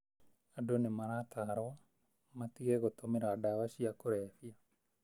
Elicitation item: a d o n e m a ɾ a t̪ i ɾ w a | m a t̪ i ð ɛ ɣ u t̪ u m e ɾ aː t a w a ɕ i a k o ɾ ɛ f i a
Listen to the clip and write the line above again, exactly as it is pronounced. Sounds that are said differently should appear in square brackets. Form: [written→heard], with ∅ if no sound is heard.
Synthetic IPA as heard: a d o n e m a ɾ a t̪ [i→a] ɾ w a | m a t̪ i [ð→ɣ] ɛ ɣ [u→o] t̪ [u→o] m e ɾ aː [t→d] a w a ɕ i a k o ɾ ɛ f i a